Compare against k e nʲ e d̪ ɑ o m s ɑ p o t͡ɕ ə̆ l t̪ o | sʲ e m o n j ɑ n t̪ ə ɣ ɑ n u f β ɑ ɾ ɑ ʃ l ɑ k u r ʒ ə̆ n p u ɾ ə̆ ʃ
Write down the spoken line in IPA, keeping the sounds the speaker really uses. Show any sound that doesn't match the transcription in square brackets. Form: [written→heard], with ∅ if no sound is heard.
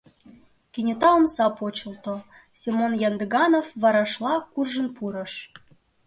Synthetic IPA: k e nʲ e [d̪→t̪] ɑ o m s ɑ p o t͡ɕ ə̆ l t̪ o | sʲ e m o n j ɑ n [t̪→d̪] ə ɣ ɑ n [u→o] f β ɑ ɾ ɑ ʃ l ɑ k u r ʒ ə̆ n p u ɾ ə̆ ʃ